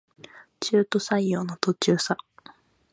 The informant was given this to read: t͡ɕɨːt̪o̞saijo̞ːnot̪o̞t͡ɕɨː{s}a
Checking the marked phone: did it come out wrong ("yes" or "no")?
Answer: no